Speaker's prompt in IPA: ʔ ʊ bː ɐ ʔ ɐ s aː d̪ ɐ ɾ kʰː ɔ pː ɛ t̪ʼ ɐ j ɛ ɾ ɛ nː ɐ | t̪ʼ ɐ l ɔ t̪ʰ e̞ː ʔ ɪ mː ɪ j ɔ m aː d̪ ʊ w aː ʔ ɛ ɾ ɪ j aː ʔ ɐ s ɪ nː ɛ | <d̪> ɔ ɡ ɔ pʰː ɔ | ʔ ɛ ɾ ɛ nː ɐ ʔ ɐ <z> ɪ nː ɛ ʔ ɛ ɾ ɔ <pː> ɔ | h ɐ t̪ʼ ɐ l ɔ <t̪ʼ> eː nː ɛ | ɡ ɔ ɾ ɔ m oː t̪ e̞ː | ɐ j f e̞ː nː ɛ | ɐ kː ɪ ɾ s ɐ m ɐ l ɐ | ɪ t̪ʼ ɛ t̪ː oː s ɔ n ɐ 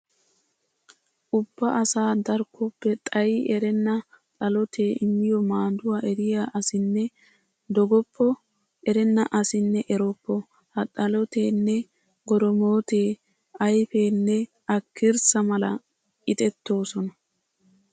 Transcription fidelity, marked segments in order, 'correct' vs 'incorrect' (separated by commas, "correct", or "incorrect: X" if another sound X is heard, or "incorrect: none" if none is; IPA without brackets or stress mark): correct, incorrect: s, correct, incorrect: t̪